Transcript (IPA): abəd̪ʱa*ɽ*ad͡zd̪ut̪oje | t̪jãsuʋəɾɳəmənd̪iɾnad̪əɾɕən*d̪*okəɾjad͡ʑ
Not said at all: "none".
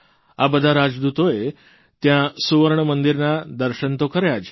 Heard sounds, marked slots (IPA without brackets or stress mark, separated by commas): ɾ, t̪